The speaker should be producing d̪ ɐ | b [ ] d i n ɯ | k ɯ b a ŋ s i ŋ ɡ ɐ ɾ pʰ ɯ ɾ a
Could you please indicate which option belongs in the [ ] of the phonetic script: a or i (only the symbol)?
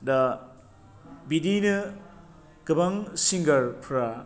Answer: i